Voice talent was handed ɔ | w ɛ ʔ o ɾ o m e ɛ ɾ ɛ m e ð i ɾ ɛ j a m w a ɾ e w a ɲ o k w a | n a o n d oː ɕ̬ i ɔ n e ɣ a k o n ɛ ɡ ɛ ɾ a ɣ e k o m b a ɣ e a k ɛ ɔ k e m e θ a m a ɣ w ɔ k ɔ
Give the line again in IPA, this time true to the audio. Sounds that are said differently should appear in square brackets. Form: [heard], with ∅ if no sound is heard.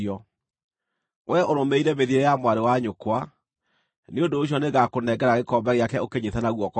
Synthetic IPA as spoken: ɔ | w ɛ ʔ o ɾ o m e [i] ɾ ɛ m e ð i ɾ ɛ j a m w a ɾ e w a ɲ o k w a | n [e] o n d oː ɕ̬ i ɔ n e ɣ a k o n ɛ ɡ ɛ ɾ a ɣ e k [ɔ] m b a ɣ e a k ɛ [o] k e [ɲ] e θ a [n] a ɣ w ɔ k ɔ